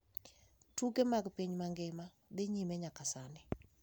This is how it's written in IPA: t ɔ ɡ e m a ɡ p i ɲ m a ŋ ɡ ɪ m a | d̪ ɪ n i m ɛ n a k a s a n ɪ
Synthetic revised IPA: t u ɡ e m a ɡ p i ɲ m a ŋ ɡ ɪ m a | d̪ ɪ ɲ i m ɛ ɲ a k a s a n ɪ